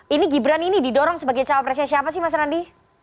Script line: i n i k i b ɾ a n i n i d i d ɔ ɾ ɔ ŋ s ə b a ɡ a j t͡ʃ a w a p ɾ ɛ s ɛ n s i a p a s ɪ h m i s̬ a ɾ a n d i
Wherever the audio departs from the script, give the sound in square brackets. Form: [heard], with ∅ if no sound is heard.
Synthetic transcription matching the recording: i n i [ɡ] i b ɾ a n i n i d i d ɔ ɾ ɔ ŋ s ə b a ɡ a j t͡ʃ a w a p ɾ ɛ s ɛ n s i a p a s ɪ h m [a] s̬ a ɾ a n d i